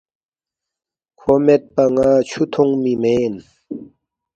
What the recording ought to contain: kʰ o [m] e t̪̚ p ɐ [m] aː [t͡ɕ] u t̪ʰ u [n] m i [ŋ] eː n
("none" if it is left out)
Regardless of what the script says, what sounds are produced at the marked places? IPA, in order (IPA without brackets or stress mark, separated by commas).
m, ŋ, t͡ɕʰ, ŋ, m